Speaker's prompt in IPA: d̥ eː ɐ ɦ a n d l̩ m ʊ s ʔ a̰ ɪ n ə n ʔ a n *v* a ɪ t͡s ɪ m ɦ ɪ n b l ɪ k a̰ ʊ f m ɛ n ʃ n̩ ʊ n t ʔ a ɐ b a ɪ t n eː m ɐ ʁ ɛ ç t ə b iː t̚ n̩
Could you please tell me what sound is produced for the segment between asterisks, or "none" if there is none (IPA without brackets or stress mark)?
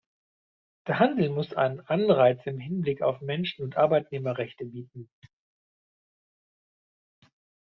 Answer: ʁ